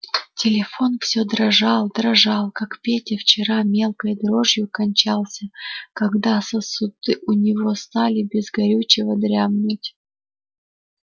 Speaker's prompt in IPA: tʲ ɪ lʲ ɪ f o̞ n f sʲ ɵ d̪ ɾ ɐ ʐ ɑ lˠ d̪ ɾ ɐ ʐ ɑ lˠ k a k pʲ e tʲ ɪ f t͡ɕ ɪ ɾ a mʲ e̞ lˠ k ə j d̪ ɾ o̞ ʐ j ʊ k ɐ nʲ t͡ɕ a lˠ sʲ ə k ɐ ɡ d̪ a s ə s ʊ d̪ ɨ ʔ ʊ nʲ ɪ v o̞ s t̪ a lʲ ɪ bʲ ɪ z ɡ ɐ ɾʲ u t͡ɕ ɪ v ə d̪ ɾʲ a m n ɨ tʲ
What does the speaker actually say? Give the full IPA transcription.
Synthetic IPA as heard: tʲ ɪ lʲ ɪ f o̞ n f sʲ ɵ d̪ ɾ ɐ ʐ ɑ lˠ d̪ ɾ ɐ ʐ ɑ lˠ k a k pʲ e tʲ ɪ f t͡ɕ ɪ ɾ a mʲ e̞ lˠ k ə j d̪ ɾ o̞ ʐ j ʊ k ɐ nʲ t͡ɕ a lˠ sʲ ə k ɐ ɡ d̪ a s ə s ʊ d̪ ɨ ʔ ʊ nʲ ɪ v o̞ s t̪ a lʲ ɪ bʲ ɪ z ɡ ɐ ɾʲ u t͡ɕ ɪ v ə d̪ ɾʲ a m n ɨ tʲ